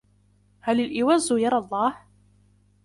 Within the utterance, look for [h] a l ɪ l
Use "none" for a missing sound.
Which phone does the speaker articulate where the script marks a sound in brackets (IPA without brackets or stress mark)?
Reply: h